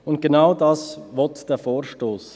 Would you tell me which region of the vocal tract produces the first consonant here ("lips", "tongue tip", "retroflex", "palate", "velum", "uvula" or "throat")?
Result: tongue tip